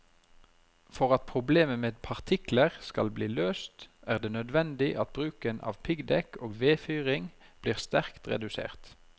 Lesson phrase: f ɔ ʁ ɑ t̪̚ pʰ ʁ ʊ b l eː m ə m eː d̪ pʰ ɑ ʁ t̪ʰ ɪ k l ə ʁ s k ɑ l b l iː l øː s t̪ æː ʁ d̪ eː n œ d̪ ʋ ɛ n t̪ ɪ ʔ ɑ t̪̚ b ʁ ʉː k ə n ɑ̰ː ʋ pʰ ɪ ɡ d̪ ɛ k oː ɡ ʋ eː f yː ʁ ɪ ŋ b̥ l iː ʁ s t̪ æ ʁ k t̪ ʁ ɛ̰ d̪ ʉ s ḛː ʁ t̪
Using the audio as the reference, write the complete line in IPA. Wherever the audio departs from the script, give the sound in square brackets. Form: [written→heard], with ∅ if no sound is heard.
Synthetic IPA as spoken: f ɔ ʁ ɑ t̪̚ pʰ ʁ ʊ b l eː m ə m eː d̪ pʰ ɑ ʁ t̪ʰ ɪ k l ə ʁ s k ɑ l b l iː l øː s t̪ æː ʁ d̪ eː n œ d̪ ʋ ɛ n [t̪→d̪] ɪ ʔ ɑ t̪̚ b ʁ ʉː k ə n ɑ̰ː ʋ pʰ ɪ ɡ d̪ ɛ k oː ɡ ʋ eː f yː ʁ ɪ ŋ b̥ l iː ʁ s t̪ æ ʁ k t̪ ʁ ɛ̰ d̪ ʉ s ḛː ʁ t̪

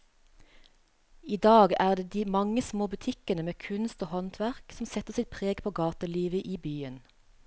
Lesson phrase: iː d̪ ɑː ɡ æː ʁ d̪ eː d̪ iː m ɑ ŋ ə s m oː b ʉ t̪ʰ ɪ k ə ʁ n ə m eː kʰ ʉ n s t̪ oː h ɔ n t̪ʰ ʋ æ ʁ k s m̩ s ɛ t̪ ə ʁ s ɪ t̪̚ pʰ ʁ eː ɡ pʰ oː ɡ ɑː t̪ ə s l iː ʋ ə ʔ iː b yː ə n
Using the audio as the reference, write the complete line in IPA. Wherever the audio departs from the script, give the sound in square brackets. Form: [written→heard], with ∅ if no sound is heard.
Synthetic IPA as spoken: iː d̪ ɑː ɡ æː ʁ d̪ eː d̪ iː m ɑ ŋ ə s m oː b ʉ t̪ʰ ɪ k ə [ʁ→∅] n ə m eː kʰ ʉ n s t̪ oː h ɔ n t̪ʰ ʋ æ ʁ k s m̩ s ɛ t̪ ə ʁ s ɪ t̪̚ pʰ ʁ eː ɡ pʰ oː ɡ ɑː t̪ ə [s→∅] l iː ʋ ə ʔ iː b yː ə n

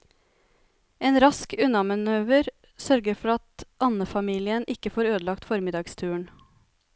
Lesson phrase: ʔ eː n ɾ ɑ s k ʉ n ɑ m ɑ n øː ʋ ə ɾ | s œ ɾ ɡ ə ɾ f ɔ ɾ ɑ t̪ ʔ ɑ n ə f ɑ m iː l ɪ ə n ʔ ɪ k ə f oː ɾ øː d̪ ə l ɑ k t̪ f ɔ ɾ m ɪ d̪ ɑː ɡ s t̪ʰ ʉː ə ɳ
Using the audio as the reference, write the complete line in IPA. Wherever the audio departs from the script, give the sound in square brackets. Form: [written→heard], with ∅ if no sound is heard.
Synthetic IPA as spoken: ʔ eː n ɾ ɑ s k ʉ n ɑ m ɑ n øː ʋ ə ɾ | s œ ɾ ɡ ə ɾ f ɔ ɾ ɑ t̪ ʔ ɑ n ə f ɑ m iː l ɪ ə n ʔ ɪ k ə f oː ɾ øː d̪ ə l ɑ k t̪ f ɔ ɾ m ɪ d̪ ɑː ɡ s t̪ʰ ʉː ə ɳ

